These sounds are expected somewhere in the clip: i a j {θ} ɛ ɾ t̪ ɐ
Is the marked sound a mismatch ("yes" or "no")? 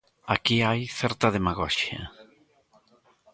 no